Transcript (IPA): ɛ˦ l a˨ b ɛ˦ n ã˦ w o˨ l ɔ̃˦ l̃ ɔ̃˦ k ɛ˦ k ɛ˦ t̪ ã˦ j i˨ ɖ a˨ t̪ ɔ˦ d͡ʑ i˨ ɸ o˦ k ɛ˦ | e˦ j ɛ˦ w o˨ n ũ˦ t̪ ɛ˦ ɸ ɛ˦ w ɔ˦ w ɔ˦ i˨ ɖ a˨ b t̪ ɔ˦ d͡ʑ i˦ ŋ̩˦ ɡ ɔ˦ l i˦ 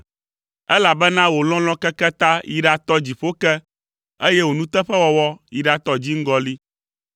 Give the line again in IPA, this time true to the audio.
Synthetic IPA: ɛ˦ l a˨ b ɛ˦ n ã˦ w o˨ l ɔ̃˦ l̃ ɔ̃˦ k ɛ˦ k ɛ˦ t̪ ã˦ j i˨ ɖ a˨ t̪ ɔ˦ d͡ʑ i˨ ɸ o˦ k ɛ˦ | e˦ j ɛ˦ w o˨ n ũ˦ t̪ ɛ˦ ɸ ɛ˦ w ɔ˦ w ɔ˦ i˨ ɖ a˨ t̪ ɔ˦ d͡ʑ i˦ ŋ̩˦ ɡ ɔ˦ l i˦